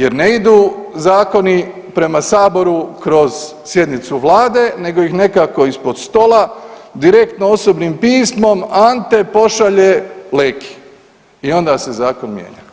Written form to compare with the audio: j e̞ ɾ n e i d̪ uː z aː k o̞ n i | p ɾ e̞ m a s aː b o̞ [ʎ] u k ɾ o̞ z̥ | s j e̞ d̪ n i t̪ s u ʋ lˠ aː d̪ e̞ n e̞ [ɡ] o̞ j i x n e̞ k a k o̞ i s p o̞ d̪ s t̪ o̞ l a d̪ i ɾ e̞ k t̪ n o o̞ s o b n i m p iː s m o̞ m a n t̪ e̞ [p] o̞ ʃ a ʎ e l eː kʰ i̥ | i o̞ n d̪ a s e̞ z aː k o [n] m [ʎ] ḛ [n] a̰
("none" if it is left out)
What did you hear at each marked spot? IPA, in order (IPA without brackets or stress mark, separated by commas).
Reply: ɾ, ɡ, p, n, j, ɲ